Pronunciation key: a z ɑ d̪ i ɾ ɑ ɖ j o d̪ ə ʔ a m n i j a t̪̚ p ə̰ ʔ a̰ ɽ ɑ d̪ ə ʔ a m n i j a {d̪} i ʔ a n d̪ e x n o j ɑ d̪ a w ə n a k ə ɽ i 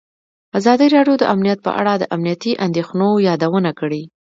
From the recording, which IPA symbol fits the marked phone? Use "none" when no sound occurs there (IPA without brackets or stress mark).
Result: t̪